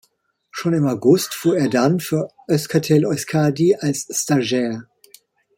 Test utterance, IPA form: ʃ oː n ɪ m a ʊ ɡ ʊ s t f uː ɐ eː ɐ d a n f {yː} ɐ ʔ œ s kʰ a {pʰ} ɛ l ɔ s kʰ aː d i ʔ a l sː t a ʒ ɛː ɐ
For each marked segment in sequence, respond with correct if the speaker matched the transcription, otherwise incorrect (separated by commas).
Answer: correct, incorrect